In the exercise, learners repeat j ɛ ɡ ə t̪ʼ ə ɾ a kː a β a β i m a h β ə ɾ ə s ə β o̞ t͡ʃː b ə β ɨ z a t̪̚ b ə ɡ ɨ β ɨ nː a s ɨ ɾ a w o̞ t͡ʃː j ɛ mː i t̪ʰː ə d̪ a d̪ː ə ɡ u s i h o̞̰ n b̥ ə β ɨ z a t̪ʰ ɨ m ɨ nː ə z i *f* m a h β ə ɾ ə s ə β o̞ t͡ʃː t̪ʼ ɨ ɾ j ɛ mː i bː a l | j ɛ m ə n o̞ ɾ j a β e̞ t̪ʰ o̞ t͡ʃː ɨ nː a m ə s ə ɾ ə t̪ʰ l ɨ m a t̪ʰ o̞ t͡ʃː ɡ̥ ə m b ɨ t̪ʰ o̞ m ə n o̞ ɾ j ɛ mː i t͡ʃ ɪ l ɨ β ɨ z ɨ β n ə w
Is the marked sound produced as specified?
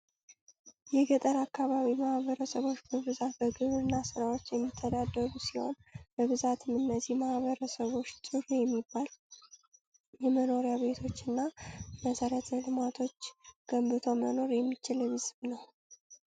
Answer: no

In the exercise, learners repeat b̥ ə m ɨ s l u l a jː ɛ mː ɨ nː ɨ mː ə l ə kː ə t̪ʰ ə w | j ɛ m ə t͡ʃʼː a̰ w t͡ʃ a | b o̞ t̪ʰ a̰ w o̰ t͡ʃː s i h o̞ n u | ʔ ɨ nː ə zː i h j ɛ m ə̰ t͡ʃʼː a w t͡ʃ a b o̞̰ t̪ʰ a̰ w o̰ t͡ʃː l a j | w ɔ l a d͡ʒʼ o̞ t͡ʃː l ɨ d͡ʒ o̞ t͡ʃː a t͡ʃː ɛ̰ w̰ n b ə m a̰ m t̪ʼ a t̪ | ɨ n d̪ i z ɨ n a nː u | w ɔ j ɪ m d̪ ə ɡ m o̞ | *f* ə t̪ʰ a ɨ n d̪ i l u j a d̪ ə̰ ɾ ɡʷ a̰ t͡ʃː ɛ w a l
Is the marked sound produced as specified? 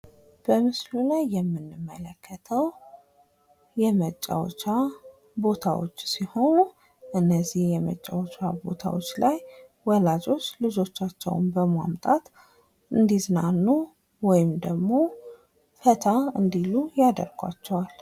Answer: yes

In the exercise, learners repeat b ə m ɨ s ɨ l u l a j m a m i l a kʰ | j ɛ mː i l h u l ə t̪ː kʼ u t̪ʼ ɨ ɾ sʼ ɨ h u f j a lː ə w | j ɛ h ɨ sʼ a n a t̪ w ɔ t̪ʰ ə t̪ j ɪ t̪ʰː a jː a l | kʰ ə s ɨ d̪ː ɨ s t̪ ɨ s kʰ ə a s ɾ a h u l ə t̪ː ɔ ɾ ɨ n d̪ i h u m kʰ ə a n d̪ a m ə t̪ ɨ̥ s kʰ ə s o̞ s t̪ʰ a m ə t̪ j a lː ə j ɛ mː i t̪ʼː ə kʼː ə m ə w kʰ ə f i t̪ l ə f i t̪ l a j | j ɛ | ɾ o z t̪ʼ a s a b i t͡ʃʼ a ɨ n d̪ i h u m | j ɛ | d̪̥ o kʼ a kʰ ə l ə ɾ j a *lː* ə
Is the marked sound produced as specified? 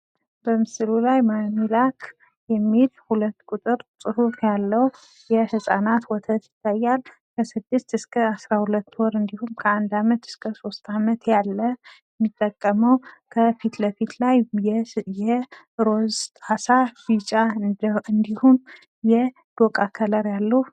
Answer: yes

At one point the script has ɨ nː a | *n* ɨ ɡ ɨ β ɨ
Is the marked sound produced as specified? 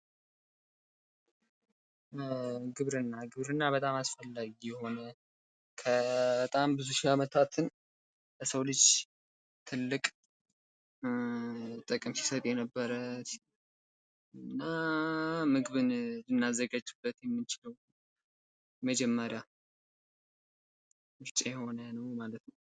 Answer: no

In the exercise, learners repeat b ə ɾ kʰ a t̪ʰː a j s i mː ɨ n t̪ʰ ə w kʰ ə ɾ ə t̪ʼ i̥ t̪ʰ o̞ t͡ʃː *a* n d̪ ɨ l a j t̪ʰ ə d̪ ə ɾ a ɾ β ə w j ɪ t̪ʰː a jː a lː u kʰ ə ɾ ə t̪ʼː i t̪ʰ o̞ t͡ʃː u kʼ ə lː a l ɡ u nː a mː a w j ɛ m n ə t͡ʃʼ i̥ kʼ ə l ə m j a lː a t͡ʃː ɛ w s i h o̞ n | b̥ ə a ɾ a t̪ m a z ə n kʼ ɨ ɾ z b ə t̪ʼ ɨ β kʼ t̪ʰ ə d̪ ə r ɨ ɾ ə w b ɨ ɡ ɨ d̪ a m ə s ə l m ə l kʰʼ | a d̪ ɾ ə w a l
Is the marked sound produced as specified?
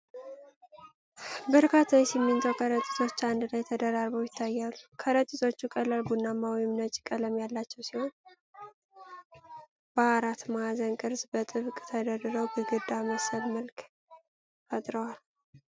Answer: yes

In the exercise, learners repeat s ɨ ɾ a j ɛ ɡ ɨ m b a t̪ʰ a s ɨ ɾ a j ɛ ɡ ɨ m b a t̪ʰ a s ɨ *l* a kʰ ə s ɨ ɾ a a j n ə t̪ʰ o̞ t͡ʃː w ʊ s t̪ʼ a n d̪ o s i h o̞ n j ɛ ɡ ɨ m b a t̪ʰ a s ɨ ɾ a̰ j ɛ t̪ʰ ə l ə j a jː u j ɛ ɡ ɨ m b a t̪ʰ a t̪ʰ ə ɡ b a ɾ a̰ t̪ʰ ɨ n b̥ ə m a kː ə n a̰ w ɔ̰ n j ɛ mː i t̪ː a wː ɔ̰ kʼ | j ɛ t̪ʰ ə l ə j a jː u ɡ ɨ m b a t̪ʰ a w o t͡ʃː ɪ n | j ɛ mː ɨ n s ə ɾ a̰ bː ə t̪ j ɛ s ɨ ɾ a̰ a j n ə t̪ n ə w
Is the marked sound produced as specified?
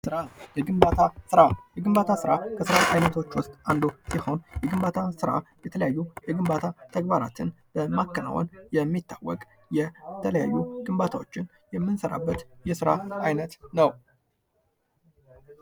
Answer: no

